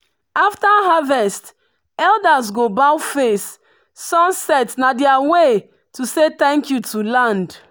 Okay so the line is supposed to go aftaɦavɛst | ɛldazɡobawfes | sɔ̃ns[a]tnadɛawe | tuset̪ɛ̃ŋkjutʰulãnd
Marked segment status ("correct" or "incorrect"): incorrect